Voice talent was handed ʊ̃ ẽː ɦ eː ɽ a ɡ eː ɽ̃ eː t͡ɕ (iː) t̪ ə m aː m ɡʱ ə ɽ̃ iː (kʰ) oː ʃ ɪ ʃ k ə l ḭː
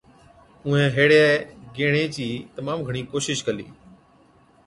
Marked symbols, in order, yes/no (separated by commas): yes, no